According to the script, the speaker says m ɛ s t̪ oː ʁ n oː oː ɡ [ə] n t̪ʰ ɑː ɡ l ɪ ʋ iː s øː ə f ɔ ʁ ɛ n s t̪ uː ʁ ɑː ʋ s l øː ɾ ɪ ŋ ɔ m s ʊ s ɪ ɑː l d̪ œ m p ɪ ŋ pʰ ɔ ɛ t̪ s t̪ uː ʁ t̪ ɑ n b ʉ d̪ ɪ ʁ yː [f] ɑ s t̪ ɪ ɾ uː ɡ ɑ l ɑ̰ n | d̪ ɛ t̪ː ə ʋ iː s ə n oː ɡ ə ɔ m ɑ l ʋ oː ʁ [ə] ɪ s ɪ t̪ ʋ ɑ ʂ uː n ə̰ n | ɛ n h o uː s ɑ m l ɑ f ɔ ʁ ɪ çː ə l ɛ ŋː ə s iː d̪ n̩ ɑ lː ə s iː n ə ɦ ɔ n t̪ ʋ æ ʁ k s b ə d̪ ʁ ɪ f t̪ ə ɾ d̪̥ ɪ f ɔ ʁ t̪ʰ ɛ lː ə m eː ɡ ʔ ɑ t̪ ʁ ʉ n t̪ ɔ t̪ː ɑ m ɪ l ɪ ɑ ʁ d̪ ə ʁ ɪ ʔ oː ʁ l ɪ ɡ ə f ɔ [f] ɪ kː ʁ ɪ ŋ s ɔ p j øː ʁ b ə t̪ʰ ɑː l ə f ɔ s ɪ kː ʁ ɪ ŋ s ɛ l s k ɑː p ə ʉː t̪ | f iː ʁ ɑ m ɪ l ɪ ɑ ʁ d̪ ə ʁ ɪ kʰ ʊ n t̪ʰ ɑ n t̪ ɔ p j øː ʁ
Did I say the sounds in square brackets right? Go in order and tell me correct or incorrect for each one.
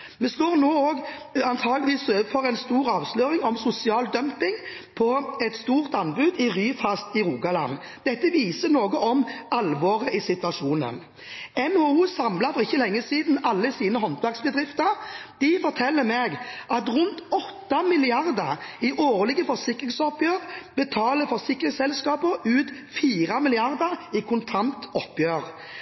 incorrect: ɑ, correct, correct, incorrect: s

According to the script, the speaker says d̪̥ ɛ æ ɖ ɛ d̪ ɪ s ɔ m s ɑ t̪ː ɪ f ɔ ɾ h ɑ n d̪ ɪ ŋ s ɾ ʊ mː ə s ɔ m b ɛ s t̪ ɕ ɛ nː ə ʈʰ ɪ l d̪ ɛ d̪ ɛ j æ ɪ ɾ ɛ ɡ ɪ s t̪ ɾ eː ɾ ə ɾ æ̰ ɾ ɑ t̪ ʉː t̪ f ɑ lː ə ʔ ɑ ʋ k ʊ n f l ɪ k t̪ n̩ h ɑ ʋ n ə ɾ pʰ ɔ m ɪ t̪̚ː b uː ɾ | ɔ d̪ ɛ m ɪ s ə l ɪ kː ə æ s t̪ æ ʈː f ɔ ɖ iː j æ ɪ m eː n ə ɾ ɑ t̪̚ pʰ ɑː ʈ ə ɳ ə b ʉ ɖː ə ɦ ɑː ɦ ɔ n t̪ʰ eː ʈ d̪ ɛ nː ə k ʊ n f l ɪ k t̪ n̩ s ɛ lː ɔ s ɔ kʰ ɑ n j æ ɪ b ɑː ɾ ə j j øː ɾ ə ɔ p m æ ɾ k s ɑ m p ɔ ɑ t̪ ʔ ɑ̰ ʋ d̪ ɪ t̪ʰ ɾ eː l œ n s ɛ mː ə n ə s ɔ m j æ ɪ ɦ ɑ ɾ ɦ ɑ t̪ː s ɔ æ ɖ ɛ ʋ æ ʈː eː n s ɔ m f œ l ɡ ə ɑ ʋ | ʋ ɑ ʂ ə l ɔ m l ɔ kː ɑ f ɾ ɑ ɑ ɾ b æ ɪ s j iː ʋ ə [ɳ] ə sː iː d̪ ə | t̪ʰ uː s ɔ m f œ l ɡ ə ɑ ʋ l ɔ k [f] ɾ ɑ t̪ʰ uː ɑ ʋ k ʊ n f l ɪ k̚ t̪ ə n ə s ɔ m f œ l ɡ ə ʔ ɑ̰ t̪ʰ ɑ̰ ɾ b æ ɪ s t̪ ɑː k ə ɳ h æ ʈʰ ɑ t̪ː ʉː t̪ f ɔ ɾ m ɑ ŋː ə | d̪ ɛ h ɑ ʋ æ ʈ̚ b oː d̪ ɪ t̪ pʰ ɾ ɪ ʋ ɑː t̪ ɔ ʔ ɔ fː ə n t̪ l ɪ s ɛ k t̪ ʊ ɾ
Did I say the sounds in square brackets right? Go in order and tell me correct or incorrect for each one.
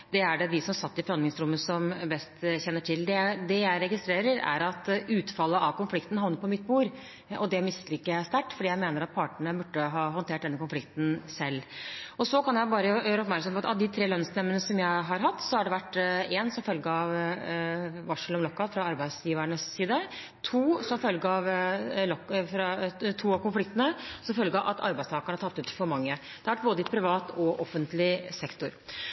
correct, correct

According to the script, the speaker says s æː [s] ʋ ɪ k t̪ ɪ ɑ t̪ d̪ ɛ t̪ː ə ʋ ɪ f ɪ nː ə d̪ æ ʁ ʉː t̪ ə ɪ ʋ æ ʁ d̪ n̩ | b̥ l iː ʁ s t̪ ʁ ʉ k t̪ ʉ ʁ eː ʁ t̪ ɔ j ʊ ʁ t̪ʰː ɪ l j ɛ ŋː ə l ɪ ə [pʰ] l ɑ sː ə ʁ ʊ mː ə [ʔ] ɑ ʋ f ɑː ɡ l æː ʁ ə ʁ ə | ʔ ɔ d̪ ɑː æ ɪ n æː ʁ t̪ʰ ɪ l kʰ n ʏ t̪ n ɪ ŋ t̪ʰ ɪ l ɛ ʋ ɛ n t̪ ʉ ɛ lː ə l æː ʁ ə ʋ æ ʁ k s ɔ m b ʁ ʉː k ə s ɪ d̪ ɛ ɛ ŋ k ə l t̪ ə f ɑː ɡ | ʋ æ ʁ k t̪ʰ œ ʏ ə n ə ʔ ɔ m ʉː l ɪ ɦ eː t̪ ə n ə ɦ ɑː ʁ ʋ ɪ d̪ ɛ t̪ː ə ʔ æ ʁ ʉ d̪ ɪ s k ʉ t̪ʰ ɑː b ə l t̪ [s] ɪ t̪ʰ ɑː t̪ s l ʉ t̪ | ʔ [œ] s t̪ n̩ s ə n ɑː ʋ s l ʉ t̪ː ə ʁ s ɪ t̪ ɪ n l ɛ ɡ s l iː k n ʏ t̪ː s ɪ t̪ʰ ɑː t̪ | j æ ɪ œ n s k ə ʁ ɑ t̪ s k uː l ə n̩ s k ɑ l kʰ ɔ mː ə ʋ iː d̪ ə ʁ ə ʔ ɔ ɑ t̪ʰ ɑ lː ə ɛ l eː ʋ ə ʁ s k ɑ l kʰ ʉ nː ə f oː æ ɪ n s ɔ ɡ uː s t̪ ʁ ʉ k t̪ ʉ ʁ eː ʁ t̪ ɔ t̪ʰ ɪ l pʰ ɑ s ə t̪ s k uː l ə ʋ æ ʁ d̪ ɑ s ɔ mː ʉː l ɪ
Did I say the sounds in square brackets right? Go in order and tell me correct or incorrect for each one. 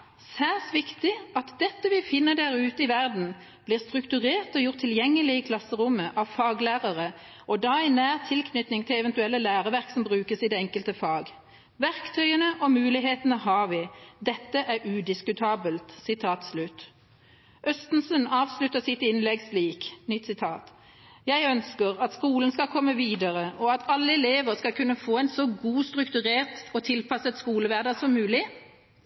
correct, incorrect: kʰ, correct, correct, correct

